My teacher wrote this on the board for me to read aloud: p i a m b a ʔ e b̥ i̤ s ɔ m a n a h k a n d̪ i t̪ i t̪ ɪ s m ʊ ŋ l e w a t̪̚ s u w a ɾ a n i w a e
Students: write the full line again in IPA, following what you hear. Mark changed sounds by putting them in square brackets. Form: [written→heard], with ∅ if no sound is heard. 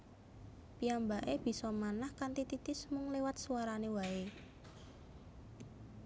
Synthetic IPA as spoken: p i a m b a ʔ e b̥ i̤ s ɔ m a n a h k a n [d̪→t̪] i t̪ i t̪ ɪ s m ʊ ŋ l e w a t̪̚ s u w a ɾ a n [i→e] w a e